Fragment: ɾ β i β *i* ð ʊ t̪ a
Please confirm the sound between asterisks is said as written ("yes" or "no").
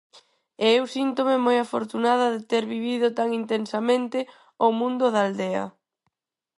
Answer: yes